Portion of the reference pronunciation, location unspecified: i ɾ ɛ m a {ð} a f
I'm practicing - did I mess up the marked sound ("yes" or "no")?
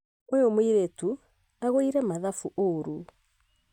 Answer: no